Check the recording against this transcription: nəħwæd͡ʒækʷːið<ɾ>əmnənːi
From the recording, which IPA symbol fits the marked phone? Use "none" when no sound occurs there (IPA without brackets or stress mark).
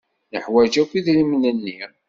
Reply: l